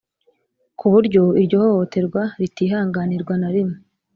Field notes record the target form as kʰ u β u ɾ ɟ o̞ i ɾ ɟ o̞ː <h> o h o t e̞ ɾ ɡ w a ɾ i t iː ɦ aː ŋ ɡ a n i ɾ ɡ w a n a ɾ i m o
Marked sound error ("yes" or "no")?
no